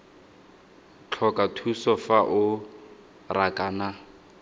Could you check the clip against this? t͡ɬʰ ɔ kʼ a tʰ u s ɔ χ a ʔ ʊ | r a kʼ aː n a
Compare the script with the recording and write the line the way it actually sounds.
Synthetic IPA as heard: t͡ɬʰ ɔ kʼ a tʰ u s ɔ f a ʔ ʊ | r a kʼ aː n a